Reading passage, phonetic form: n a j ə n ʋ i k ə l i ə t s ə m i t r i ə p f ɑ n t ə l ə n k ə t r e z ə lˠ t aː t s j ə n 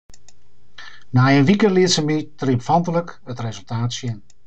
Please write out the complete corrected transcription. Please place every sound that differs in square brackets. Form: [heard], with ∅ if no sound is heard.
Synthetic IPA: n a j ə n ʋ i k ə l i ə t s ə m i t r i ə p f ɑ n t ə l ə [∅] k ə t r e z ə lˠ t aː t s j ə n